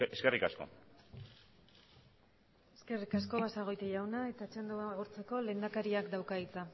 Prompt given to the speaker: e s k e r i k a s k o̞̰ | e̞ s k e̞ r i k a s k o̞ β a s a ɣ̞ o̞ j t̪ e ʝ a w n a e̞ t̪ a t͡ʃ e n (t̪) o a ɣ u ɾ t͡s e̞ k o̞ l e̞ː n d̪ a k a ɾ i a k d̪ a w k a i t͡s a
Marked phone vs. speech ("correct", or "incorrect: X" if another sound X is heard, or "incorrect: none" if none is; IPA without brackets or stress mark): incorrect: d̪